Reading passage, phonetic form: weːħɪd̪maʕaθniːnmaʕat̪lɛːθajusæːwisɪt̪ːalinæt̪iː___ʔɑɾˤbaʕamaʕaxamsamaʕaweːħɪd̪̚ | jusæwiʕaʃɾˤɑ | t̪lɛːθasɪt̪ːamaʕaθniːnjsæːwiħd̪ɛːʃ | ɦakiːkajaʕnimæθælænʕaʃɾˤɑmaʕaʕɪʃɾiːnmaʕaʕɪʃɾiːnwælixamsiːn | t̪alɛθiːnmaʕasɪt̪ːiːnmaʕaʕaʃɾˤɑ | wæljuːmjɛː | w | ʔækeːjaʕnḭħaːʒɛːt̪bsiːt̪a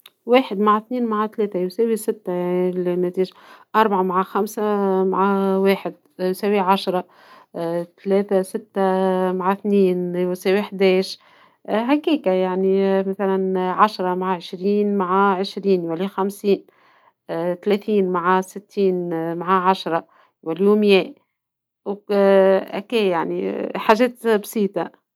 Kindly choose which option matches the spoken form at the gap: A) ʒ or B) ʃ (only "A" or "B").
A